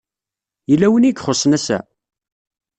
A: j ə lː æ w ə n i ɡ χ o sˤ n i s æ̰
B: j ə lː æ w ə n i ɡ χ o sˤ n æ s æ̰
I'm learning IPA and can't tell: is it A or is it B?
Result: B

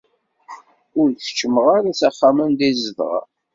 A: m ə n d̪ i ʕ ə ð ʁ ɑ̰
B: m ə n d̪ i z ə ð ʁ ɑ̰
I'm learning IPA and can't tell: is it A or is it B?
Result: B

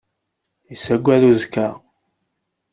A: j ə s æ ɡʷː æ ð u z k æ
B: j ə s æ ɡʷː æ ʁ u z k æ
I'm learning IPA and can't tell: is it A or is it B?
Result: A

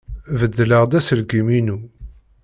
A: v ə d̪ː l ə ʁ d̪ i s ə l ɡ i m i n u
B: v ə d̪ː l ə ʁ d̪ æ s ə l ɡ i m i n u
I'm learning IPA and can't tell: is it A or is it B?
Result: B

